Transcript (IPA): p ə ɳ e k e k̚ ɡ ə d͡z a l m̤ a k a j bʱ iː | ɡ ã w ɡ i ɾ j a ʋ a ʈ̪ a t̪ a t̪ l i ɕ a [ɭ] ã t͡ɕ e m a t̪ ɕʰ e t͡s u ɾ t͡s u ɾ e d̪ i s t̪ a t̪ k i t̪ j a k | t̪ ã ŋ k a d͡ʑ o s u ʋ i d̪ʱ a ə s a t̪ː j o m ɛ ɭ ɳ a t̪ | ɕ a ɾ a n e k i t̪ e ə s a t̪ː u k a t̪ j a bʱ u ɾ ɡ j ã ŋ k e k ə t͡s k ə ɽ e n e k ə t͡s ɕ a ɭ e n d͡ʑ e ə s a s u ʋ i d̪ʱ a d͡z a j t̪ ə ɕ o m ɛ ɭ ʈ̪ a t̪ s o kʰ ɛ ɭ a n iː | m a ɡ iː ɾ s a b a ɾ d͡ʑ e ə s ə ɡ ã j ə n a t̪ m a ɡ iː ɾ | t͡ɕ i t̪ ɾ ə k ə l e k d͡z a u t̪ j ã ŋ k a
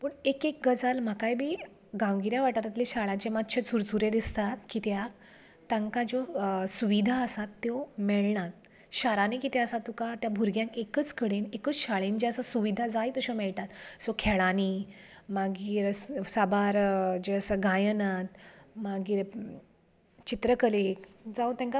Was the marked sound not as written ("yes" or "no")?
no